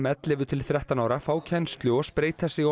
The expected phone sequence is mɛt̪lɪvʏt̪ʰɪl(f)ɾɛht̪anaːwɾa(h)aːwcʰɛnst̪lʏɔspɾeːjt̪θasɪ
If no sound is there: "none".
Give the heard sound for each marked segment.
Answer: θ, f

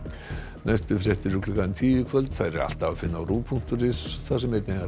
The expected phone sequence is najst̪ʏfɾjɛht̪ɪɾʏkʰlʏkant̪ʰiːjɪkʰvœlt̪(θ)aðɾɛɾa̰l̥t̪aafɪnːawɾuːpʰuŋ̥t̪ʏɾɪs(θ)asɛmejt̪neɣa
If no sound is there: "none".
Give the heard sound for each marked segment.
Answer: θ, θ

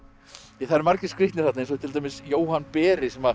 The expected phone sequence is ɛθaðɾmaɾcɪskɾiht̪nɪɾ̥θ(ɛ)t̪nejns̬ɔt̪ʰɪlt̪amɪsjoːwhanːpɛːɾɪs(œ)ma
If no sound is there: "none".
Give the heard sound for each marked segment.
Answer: a, ɛ

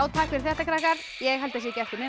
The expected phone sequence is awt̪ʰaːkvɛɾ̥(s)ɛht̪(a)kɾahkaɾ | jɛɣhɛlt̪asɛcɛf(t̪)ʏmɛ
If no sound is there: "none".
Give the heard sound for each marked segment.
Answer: θ, a, t̪

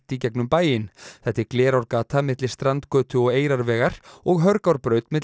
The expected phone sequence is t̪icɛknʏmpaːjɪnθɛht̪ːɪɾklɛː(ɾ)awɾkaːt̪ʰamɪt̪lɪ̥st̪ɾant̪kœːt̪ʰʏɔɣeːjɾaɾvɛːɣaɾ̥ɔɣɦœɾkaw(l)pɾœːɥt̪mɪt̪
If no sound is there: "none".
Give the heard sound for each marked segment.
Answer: ɾ, ɾ

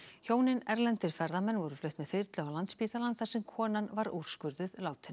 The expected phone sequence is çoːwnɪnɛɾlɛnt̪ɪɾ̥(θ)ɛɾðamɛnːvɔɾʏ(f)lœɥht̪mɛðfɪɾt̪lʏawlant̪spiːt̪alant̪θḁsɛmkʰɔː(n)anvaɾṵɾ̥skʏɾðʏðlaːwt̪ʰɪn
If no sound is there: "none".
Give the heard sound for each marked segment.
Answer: f, f, n

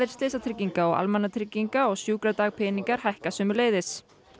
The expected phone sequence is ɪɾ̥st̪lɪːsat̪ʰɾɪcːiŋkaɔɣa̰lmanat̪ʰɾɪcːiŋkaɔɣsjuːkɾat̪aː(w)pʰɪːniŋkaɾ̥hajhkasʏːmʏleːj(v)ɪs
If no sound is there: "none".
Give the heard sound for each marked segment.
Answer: ɣ, ð

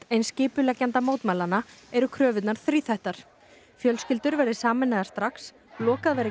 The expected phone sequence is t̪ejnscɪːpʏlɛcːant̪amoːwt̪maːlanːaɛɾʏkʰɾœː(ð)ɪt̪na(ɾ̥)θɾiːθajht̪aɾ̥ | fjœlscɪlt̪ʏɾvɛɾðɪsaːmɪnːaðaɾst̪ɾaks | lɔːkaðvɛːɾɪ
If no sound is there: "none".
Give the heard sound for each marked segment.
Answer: v, ɾ̥

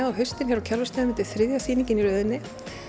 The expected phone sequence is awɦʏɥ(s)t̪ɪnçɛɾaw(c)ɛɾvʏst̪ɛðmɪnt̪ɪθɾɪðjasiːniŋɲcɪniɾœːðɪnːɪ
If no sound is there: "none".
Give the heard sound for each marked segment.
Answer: s, cʰ

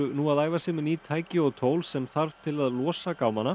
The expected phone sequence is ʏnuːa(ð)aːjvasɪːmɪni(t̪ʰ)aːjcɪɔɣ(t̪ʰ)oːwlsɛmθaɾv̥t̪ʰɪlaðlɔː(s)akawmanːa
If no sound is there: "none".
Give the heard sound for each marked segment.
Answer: ð, t̪ʰ, t̪ʰ, s

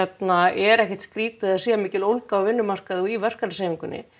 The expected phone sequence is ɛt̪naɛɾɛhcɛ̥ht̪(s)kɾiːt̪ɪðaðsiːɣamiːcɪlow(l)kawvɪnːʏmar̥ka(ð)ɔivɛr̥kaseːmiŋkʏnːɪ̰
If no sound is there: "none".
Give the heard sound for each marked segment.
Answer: s, l, ð

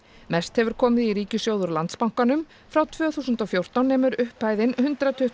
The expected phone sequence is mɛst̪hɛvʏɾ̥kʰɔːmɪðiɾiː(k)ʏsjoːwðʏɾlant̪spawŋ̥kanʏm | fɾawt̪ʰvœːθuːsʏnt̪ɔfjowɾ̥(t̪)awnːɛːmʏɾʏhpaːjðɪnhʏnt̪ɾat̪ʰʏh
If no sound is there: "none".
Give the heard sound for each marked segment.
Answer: c, t̪

